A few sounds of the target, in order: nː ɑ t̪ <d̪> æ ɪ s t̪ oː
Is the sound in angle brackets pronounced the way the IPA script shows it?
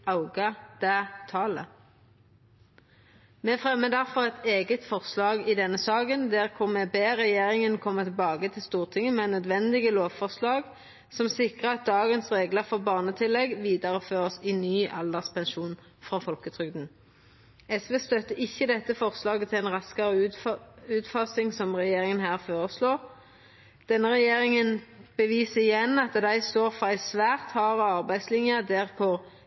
yes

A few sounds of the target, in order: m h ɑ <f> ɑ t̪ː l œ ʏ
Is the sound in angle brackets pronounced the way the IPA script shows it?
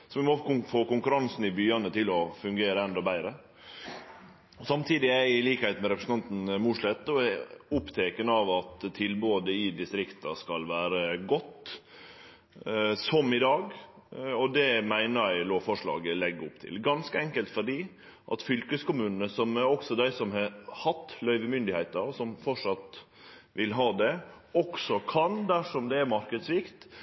no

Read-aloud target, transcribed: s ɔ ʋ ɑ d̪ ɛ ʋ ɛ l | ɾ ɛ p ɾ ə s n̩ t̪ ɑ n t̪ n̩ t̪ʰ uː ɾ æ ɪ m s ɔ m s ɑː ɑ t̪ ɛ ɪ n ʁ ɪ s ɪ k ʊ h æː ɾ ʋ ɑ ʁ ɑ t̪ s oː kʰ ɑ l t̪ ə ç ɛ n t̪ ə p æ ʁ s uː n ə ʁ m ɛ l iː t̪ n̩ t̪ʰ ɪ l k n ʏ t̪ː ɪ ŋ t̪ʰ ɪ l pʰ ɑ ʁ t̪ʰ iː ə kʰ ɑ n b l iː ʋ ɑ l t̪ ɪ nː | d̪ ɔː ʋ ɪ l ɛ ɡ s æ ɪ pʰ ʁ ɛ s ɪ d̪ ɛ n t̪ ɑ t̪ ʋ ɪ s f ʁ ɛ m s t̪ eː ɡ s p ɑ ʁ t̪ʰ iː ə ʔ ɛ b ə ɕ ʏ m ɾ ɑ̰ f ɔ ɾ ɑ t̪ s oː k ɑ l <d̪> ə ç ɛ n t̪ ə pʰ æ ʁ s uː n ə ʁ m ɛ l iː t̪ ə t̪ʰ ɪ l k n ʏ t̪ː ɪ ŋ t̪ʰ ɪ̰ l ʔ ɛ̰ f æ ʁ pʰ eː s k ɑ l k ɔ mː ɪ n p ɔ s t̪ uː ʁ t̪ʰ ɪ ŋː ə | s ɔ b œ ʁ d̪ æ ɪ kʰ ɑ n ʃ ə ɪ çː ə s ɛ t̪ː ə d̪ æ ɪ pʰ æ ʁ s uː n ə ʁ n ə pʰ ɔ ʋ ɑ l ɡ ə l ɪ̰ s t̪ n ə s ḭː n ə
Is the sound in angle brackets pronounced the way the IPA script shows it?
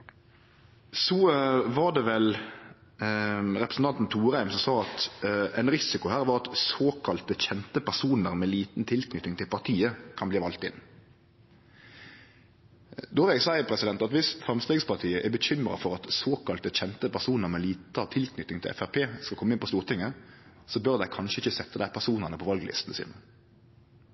no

